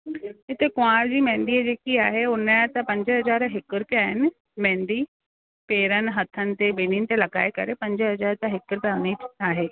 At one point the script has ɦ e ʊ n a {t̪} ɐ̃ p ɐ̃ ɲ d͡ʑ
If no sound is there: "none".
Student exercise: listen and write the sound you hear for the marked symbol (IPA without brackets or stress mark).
t̪